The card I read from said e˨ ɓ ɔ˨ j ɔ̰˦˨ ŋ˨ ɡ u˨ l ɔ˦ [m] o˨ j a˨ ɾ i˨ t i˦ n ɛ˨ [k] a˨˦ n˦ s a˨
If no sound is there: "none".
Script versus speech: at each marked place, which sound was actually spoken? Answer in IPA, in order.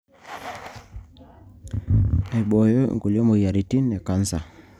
m, k

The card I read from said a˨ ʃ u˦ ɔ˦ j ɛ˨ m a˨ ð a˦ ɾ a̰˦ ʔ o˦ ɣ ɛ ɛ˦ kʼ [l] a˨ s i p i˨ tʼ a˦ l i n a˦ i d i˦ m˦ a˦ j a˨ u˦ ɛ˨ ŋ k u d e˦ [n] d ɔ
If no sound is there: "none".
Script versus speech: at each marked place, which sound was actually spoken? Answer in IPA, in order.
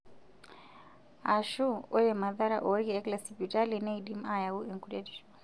l, none

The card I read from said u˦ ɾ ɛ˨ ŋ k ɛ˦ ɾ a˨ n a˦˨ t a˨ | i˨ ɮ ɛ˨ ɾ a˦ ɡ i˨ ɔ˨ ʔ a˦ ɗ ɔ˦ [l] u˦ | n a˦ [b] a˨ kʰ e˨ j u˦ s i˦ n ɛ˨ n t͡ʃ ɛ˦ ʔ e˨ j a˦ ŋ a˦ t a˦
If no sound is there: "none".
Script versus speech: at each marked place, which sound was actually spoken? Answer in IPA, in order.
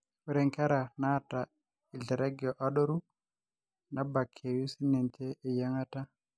ɾ, b

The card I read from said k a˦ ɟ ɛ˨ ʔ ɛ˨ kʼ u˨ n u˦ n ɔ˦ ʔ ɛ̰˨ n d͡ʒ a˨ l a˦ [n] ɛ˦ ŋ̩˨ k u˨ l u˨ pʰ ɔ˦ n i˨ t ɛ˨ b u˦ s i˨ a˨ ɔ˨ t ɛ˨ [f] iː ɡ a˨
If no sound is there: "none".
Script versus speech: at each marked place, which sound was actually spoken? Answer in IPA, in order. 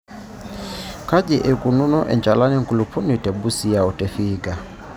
n, f

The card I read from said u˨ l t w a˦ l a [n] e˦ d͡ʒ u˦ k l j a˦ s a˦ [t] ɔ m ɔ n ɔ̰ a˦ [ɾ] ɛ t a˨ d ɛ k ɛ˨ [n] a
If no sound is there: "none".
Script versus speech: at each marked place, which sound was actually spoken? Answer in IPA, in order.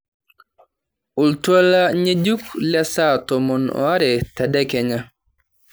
ɲ, t, ɾ, ɲ

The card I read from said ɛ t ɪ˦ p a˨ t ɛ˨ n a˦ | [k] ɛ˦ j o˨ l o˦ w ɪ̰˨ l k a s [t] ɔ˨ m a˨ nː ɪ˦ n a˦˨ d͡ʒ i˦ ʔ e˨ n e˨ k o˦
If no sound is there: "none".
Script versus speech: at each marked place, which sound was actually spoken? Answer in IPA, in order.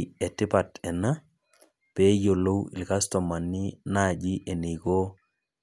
p, t

